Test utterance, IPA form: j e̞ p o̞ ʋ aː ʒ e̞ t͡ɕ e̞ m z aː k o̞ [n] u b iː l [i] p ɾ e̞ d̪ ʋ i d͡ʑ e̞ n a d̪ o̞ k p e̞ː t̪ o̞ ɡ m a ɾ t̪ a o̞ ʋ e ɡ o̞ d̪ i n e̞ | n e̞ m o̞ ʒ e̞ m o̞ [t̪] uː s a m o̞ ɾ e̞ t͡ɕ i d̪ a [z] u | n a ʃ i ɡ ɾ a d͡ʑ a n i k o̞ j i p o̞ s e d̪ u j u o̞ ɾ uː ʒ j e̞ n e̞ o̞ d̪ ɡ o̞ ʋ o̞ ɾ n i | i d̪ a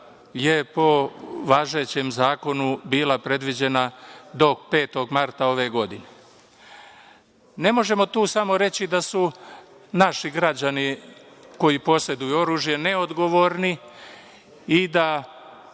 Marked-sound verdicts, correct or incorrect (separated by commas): correct, incorrect, correct, incorrect